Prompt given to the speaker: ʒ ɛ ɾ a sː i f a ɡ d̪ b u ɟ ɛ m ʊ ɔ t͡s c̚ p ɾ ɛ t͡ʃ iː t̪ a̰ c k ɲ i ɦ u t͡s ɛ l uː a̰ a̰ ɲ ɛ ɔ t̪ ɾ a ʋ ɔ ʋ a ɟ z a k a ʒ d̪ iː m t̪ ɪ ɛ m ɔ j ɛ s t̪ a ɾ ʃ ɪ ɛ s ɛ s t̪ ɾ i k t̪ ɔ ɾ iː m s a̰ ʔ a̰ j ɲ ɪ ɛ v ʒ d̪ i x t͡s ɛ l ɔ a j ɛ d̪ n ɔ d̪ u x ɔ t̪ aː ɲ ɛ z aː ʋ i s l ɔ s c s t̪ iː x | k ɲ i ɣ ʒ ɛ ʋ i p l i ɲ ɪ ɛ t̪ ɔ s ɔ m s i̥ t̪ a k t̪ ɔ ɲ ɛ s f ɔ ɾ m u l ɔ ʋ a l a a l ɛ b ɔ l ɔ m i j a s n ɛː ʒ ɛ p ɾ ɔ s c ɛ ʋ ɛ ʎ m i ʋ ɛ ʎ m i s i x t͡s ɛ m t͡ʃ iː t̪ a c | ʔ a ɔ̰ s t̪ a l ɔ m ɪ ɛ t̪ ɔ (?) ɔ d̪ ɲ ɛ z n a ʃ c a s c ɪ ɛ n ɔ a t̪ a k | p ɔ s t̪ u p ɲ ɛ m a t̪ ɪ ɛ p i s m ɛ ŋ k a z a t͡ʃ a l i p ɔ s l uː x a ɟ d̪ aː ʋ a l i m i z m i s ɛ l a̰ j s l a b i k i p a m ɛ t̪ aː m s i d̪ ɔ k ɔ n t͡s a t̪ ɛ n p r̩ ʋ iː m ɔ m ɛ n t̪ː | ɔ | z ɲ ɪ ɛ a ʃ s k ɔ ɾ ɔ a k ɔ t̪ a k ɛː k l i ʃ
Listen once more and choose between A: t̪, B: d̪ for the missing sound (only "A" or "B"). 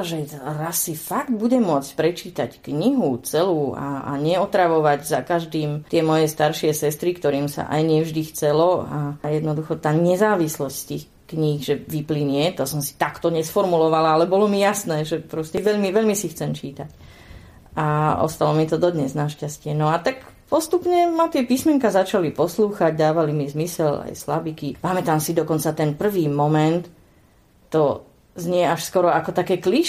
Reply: B